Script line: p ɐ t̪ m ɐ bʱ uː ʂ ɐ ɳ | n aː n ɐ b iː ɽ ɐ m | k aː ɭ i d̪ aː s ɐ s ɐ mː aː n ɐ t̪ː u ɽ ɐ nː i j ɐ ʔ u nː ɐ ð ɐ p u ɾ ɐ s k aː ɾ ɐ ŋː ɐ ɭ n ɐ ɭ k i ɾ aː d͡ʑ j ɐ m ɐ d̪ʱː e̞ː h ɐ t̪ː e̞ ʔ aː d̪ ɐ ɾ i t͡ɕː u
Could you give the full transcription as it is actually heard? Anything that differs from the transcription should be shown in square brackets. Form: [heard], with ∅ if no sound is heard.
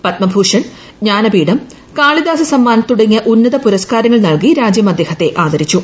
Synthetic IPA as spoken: p ɐ t̪ m ɐ bʱ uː ʂ ɐ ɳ | [ɲ] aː n ɐ b iː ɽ ɐ m | k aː ɭ i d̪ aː s ɐ s ɐ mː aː n ɐ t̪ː u ɽ ɐ [ŋː] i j ɐ ʔ u nː ɐ ð ɐ p u ɾ ɐ s k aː ɾ ɐ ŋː ɐ ɭ n ɐ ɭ k i ɾ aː d͡ʑ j ɐ m ɐ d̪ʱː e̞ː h ɐ t̪ː e̞ ʔ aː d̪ ɐ ɾ i t͡ɕː u